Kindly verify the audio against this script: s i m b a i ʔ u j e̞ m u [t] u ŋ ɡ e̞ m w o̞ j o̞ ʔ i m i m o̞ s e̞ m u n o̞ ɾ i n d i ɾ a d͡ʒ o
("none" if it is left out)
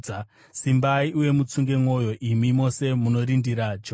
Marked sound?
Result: t͡s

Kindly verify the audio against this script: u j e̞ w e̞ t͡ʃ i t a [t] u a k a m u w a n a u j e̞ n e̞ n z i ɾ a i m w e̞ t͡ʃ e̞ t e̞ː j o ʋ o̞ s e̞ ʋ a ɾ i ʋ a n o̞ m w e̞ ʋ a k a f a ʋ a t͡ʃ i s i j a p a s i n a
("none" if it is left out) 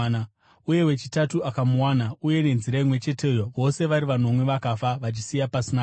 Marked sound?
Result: t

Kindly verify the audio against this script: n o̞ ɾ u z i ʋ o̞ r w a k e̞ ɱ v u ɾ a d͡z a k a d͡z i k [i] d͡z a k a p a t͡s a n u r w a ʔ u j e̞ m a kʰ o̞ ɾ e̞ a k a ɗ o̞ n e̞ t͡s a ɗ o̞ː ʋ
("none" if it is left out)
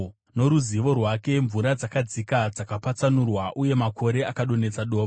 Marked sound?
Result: a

